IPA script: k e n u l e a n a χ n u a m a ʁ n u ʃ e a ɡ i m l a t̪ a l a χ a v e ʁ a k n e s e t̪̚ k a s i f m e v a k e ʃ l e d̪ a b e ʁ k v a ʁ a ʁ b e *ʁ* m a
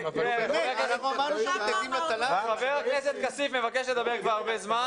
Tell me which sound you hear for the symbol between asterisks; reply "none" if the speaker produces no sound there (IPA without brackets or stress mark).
z